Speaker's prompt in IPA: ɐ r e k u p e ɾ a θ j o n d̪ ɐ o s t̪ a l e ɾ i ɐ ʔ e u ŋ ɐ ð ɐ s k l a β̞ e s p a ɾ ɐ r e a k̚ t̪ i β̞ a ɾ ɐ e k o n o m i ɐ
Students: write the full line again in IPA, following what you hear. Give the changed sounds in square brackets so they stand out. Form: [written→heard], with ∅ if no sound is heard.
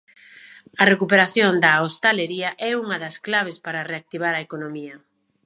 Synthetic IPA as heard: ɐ r e k u p e ɾ a θ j o n d̪ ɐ o s t̪ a l e ɾ i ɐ ʔ [e→ɛ] u ŋ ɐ ð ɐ s k l a β̞ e s p a ɾ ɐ r e a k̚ t̪ i β̞ a ɾ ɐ e k o n o m i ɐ